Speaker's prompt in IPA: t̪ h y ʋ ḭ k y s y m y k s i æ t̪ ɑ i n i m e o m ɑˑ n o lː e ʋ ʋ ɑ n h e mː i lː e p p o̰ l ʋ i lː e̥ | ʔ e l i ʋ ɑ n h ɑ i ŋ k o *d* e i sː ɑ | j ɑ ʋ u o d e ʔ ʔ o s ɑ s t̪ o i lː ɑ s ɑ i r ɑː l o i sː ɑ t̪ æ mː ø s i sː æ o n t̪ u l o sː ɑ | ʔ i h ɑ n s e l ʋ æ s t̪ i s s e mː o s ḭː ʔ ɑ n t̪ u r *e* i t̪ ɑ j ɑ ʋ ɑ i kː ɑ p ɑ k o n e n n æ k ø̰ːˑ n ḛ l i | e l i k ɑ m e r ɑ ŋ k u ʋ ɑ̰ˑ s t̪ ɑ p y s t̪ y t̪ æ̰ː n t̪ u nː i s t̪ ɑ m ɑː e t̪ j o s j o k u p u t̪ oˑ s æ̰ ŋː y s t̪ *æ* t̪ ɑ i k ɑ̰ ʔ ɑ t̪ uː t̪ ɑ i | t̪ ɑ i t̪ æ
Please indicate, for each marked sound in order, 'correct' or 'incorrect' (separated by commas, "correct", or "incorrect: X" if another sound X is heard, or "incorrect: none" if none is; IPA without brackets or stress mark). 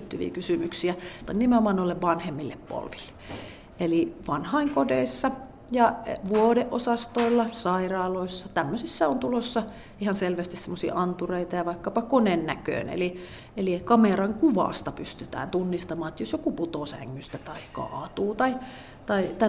correct, correct, correct